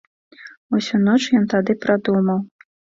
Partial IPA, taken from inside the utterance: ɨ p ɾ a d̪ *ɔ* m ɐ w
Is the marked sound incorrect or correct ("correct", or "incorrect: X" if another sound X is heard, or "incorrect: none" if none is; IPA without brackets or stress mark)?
incorrect: u